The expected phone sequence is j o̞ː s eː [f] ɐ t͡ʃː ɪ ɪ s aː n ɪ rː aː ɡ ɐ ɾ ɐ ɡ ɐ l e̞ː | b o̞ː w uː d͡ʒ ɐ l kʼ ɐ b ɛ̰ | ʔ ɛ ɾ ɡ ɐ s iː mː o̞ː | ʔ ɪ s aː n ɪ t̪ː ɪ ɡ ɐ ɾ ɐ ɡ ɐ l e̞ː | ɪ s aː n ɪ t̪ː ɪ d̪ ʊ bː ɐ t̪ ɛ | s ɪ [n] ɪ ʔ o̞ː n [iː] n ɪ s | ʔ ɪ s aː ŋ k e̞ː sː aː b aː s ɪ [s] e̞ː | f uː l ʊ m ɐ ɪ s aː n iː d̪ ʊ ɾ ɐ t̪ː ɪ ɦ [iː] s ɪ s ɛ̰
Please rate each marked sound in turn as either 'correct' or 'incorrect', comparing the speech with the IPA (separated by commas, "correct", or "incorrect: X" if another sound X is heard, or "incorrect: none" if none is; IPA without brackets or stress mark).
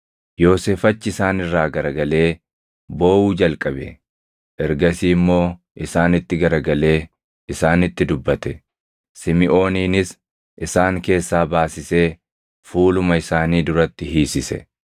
correct, incorrect: m, correct, correct, correct